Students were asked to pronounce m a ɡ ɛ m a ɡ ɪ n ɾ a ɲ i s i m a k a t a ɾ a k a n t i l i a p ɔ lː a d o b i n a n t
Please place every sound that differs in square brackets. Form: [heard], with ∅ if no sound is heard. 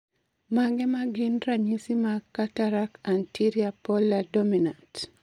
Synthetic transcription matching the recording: m a ɡ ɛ m a ɡ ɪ n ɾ a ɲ i s i m a k a t a ɾ a k a n t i [ɾ] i a p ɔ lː a d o [m] i n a n t